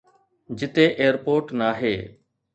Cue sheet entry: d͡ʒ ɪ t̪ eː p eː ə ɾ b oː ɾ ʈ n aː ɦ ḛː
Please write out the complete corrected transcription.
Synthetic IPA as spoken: d͡ʒ ɪ t̪ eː ʔ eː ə ɾ p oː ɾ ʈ n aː ɦ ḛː